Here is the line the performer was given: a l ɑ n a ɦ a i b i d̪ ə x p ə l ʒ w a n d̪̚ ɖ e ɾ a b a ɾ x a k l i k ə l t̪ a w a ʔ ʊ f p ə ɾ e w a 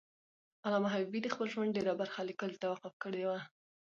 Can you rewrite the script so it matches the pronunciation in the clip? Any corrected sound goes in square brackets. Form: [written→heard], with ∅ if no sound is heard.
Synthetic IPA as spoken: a l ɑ [n→m] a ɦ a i b i d̪ ə x p ə l ʒ w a n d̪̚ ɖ e ɾ a b a ɾ x a [k→∅] l i k ə l t̪ a w a [ʔ→q] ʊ f [p→k] ə [ɾ→ɽ] e w a

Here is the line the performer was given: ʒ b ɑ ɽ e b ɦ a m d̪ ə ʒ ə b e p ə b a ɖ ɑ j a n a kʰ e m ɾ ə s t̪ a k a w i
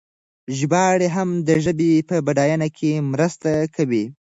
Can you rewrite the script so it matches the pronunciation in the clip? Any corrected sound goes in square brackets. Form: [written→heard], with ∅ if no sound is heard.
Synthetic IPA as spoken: ʒ b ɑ ɽ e [b→∅] ɦ a m d̪ ə ʒ ə b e p ə b a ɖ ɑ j a n a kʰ e m ɾ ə s t̪ a k a w i

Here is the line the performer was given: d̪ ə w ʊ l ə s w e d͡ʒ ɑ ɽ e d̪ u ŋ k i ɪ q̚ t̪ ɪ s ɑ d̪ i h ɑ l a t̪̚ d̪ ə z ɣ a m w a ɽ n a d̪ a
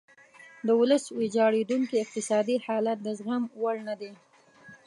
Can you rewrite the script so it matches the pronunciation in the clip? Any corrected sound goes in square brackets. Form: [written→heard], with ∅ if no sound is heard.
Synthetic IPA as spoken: d̪ ə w ʊ l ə s w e d͡ʒ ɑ ɽ e d̪ u ŋ k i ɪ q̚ t̪ ɪ s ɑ d̪ i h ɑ l a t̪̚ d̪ ə z ɣ a m w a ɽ n a d̪ [a→e]

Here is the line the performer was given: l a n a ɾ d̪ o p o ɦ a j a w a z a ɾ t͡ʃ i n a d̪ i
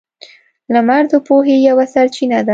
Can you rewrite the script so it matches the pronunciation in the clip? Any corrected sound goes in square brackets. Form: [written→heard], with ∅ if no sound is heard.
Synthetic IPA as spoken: l a [n→m] a ɾ d̪ o p o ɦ [a→e] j a w a [z→s] a ɾ t͡ʃ i n a d̪ [i→a]

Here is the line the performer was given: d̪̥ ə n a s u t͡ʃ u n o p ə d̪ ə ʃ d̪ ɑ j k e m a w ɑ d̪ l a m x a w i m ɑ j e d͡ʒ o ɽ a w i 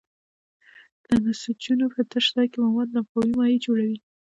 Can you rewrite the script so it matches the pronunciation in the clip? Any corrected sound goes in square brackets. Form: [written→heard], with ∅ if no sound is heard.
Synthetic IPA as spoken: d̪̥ ə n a s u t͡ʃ u n o p ə [d̪→t̪] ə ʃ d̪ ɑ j k e m a w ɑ d̪ l a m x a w i m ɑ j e d͡ʒ o ɽ a w i

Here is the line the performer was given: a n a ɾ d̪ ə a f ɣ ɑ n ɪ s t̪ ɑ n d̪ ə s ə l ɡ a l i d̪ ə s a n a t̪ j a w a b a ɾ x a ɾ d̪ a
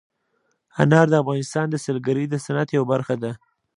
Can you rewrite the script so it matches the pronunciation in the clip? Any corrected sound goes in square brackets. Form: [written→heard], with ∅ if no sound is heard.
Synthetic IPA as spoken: a n [a→ɑ] ɾ d̪ ə a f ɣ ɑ n ɪ s t̪ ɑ n d̪ ə s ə l ɡ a [l→ɾ] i d̪ ə s a n a t̪ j a w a b a ɾ x a [ɾ→∅] d̪ a

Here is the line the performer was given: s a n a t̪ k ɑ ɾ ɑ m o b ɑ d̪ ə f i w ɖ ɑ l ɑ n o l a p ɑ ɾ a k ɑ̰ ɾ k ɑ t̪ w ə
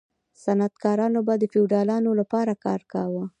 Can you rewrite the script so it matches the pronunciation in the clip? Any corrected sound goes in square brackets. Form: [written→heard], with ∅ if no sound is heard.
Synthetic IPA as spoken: s a n a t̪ k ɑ ɾ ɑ [m→n] o b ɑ d̪ ə f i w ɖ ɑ l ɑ n o l a p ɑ ɾ a k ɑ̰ ɾ k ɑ [t̪→∅] w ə

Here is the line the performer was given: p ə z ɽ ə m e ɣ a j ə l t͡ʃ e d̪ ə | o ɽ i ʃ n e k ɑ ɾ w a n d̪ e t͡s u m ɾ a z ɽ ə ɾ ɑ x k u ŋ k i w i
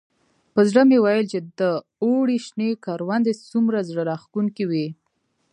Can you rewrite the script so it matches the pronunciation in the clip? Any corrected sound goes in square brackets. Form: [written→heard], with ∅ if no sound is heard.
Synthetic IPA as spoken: p ə z ɽ ə m e [ɣ→w] a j ə l t͡ʃ e d̪ ə | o ɽ i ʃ n e k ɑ ɾ w a n d̪ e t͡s u m ɾ a z ɽ ə ɾ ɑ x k u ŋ k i w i

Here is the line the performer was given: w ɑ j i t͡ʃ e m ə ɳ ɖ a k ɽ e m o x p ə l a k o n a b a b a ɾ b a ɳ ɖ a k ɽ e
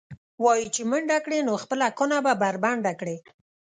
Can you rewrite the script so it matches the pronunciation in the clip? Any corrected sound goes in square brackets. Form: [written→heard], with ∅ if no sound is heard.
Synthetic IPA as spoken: w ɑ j i t͡ʃ e m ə ɳ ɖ a k ɽ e [m→n] o x p ə l a k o n a b a b a ɾ b a ɳ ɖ a k ɽ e

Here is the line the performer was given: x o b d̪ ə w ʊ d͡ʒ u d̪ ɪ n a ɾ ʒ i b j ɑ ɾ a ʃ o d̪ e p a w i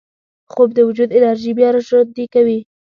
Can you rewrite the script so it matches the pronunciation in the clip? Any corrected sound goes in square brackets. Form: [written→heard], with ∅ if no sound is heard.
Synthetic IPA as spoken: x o b d̪ ə w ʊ d͡ʒ u d̪ ɪ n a ɾ ʒ i b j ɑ ɾ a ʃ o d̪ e [p→k] a w i

